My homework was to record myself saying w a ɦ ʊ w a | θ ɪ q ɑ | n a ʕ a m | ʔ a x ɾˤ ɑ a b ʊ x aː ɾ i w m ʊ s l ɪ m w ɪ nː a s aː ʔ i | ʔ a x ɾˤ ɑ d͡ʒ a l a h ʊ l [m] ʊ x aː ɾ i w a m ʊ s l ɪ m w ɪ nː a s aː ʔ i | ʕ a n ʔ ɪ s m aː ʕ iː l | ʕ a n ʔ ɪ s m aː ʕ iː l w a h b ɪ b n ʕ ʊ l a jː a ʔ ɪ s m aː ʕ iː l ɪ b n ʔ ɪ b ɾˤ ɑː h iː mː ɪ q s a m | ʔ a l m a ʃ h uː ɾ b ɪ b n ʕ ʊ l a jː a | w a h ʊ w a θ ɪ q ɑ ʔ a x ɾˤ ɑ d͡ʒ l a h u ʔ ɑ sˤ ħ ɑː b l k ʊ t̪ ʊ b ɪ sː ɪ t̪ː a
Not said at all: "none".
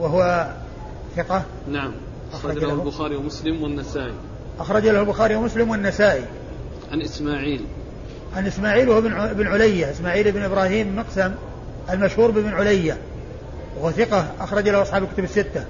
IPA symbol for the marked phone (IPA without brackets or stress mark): b